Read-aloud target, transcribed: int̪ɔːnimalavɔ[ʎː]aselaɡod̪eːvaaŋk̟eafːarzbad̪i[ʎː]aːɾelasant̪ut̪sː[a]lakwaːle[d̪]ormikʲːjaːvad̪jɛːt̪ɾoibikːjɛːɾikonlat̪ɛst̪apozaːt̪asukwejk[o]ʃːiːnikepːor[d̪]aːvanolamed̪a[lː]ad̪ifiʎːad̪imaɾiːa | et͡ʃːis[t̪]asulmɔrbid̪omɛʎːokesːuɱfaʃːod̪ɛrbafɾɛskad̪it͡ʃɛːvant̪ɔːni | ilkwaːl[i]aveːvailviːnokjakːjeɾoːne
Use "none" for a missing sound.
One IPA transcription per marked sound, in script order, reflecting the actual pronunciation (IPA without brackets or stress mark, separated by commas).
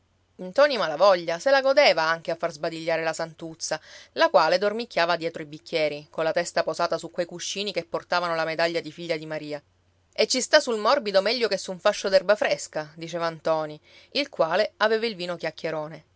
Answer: ʎː, ʎː, a, d̪, u, t̪, ʎː, t̪, e